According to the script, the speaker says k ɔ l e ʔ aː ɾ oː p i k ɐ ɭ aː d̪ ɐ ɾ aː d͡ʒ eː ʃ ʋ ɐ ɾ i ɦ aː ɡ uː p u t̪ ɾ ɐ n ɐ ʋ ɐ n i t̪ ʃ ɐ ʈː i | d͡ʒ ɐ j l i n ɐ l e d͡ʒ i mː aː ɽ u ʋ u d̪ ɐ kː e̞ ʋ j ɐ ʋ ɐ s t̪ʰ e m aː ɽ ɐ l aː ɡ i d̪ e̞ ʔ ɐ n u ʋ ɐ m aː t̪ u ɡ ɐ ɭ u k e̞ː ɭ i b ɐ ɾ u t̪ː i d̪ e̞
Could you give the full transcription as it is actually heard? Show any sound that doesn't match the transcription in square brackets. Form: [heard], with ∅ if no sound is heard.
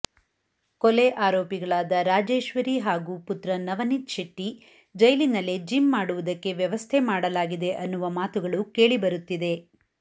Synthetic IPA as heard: k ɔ l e ʔ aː ɾ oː p i [ɡ] ɐ ɭ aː d̪ ɐ ɾ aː d͡ʒ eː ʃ ʋ ɐ ɾ i ɦ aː ɡ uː p u t̪ ɾ ɐ n ɐ ʋ ɐ n i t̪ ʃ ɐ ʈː i | d͡ʒ ɐ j l i n ɐ l e d͡ʒ i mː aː ɽ u ʋ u d̪ ɐ kː e̞ ʋ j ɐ ʋ ɐ s t̪ʰ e m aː ɽ ɐ l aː ɡ i d̪ e̞ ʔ ɐ [nː] u ʋ ɐ m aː t̪ u ɡ ɐ ɭ u k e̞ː ɭ i b ɐ ɾ u t̪ː i d̪ e̞